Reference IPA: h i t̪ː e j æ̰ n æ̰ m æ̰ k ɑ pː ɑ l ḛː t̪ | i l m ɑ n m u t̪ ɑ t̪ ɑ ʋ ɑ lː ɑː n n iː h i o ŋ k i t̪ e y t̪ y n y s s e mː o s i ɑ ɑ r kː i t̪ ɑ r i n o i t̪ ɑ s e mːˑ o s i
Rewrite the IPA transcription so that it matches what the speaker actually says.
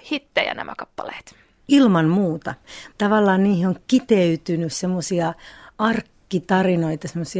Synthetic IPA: h i t̪ː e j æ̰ n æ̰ m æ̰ k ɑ pː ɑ l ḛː t̪ | i l m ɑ n m uː t̪ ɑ t̪ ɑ ʋ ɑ lː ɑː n n iː h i o ŋ k i t̪ e y t̪ y n y s s e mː o s i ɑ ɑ r kː i t̪ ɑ r i n o i t̪ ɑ s e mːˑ o s i